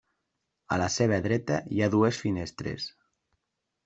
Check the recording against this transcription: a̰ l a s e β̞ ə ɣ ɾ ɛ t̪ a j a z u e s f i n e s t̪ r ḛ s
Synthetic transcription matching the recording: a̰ l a s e β̞ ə ð ɾ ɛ t̪ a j a ð u e s f i n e s t̪ ɾ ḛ s